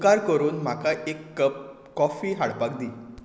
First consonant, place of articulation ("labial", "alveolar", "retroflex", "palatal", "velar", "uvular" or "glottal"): velar